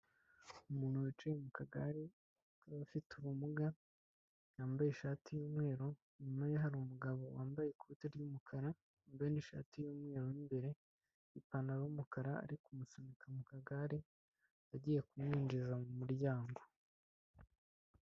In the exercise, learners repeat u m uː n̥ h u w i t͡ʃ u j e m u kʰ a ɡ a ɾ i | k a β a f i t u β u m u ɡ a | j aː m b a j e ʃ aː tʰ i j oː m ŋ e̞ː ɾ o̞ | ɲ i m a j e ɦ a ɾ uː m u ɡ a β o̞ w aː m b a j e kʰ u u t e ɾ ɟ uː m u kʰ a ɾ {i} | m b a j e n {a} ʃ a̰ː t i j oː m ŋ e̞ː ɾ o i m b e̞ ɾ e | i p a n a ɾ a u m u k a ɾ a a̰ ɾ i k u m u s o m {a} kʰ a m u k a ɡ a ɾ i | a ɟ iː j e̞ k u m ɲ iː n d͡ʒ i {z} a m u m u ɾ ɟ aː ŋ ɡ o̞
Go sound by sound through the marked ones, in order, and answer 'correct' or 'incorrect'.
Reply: incorrect: a, incorrect: i, incorrect: i, correct

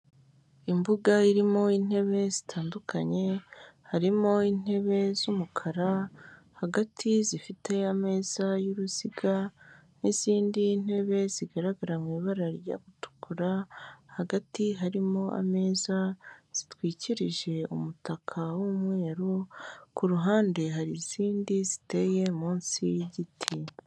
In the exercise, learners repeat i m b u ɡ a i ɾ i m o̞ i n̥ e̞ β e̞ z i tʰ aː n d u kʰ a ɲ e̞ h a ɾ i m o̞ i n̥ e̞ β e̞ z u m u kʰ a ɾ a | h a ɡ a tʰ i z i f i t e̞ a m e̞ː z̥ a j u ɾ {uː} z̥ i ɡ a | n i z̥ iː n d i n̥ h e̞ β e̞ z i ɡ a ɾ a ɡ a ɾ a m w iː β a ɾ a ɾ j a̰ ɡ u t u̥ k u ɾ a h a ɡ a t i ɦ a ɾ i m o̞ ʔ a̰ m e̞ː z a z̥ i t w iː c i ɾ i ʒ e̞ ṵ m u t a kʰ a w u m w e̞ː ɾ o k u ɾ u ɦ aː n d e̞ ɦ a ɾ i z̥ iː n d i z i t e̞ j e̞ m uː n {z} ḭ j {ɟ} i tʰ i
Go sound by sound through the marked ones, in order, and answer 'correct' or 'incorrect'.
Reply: incorrect: u, incorrect: s, correct

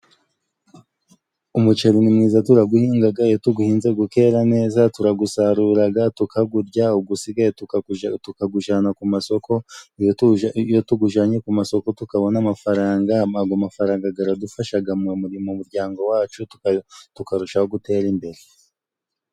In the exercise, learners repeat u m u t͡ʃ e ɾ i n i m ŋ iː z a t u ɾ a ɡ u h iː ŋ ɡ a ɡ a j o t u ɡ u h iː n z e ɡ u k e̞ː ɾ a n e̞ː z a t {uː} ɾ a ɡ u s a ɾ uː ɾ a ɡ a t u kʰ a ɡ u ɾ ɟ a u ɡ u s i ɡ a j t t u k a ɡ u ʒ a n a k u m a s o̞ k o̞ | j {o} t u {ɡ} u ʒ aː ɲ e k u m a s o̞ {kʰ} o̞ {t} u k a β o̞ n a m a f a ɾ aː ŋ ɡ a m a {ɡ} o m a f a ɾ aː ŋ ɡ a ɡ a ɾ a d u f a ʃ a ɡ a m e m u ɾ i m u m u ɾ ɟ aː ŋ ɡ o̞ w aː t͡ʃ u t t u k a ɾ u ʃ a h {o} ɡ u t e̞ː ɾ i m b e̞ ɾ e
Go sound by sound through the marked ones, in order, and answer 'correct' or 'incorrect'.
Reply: incorrect: u, correct, correct, incorrect: k, correct, correct, correct

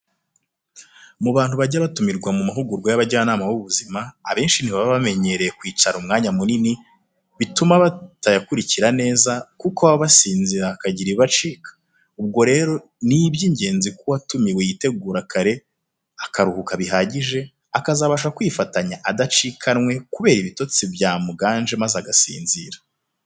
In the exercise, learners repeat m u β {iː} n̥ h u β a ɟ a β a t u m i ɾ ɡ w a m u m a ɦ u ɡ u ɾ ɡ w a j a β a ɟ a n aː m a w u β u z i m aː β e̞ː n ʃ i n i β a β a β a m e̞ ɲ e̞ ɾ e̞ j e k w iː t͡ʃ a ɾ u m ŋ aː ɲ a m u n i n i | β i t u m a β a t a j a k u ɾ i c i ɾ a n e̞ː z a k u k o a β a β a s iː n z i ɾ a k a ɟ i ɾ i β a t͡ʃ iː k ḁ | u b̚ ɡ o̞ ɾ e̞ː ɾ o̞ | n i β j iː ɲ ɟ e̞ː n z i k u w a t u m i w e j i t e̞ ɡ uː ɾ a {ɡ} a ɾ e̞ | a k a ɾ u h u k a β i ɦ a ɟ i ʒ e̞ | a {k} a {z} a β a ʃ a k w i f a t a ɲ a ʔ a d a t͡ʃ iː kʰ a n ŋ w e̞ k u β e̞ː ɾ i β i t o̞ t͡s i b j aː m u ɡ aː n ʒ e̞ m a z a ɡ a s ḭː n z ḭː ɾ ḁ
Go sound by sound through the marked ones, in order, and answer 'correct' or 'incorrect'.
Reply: incorrect: aː, incorrect: k, correct, correct

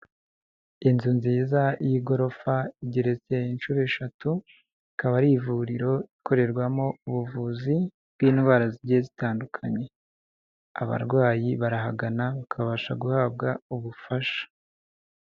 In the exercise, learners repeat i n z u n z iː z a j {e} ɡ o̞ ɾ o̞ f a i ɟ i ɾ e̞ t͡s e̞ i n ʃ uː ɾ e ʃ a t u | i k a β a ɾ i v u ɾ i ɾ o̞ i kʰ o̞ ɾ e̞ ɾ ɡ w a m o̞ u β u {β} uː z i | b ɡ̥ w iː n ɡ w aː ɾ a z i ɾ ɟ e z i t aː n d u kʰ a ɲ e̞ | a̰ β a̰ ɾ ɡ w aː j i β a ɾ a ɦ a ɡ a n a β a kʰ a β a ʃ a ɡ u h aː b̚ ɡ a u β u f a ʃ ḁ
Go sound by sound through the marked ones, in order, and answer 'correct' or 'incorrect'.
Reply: incorrect: i, incorrect: v

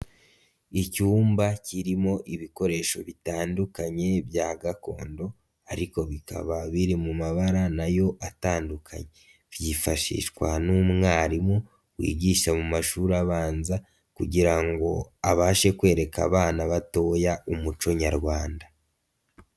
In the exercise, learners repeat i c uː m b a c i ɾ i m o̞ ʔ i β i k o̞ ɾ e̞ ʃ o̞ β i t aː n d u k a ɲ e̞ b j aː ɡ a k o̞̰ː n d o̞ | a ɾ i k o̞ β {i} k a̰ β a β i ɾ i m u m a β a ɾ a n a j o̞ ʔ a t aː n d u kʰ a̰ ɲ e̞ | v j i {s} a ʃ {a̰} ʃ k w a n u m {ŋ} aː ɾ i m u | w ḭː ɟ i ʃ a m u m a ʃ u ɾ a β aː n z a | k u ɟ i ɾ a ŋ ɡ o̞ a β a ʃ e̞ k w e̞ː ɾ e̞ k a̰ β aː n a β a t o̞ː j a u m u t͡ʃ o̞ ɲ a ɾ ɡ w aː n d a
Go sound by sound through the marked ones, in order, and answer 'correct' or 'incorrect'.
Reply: correct, incorrect: f, incorrect: ḭ, correct

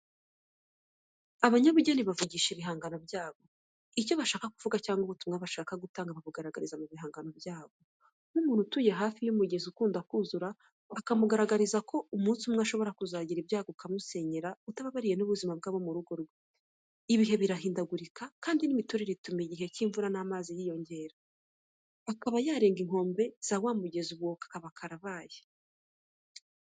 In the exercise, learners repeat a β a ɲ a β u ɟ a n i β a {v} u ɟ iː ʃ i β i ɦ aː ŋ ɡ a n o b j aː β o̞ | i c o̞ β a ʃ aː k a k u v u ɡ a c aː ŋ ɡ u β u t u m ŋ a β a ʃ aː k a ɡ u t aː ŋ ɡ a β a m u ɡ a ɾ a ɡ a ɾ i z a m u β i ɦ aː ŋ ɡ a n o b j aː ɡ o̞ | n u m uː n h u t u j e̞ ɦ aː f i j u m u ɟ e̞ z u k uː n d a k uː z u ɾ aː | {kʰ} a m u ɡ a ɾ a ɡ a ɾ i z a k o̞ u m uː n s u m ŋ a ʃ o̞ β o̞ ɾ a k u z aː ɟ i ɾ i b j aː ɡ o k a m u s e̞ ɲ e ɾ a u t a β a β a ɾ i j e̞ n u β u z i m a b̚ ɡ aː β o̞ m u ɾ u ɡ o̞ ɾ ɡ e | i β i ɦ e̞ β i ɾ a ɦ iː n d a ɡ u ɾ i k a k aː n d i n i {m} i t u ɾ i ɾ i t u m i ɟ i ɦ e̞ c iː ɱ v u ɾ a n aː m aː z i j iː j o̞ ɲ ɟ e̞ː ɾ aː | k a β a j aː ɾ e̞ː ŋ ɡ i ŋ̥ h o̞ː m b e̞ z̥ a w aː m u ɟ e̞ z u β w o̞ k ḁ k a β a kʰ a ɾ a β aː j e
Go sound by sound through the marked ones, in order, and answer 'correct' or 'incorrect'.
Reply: correct, incorrect: k, correct

